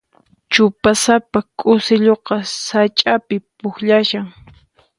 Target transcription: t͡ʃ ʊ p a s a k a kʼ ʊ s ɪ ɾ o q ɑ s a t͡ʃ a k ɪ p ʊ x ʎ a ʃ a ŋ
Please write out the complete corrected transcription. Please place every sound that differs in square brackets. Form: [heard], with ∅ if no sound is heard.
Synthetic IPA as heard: t͡ʃ ʊ p a s a [p] a kʼ ʊ s ɪ [ʎ] o q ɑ s a [t͡ʃʼ] a [p] ɪ p ʊ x ʎ a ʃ a ŋ